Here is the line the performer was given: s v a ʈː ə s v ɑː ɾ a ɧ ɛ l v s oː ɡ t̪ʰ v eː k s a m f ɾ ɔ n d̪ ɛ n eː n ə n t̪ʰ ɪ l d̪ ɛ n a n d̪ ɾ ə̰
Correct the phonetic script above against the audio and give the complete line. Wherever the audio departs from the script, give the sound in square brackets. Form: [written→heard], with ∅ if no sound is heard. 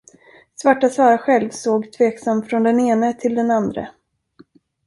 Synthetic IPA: s v a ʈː [ə→a] s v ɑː ɾ a ɧ ɛ l v s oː ɡ t̪ʰ v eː k s a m f ɾ ɔ n d̪ ɛ n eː n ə [n→∅] t̪ʰ ɪ l d̪ ɛ n a n d̪ ɾ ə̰